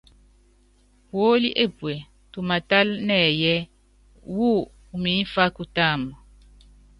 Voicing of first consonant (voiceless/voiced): voiced